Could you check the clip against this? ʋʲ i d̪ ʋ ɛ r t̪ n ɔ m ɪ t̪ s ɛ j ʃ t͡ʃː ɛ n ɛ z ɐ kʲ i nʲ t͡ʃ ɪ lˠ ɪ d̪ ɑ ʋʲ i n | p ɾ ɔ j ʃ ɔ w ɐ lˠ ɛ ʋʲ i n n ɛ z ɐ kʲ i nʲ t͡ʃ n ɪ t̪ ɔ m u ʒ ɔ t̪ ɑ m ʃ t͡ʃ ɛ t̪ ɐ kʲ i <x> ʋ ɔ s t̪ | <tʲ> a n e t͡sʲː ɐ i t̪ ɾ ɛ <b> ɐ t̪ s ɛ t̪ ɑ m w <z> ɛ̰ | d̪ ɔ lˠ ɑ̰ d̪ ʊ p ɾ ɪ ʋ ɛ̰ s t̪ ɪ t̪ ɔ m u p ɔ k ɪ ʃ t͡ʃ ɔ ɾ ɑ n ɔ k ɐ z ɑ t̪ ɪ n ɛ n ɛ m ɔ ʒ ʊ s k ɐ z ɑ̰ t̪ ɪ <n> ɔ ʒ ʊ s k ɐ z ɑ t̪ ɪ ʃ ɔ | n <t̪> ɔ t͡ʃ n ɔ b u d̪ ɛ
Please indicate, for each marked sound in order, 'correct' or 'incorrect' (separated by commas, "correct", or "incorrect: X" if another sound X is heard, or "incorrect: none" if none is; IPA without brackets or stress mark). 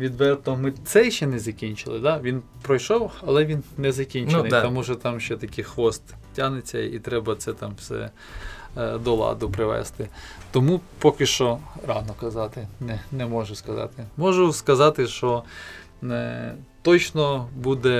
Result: correct, correct, correct, incorrect: s, incorrect: m, correct